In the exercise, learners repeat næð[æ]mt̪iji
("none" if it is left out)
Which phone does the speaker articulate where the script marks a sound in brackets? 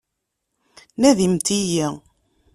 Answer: i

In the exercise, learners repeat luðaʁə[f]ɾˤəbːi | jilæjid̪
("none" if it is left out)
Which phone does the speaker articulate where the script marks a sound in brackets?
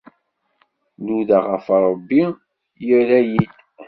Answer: f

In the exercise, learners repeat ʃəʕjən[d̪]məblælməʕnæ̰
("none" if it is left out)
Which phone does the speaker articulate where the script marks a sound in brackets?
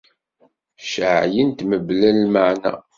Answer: t̪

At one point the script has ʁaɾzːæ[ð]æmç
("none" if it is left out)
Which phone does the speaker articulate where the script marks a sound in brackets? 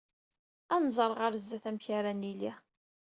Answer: θ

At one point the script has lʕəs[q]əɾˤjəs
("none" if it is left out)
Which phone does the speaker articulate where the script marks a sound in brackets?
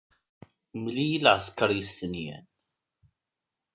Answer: k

